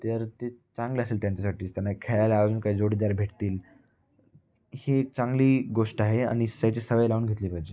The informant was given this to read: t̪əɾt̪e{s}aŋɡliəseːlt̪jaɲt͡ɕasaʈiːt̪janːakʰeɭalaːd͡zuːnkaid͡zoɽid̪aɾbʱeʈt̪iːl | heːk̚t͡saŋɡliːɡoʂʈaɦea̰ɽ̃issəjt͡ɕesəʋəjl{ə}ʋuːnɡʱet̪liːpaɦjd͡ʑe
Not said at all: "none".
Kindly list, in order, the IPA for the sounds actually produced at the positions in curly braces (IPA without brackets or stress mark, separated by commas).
t͡s, a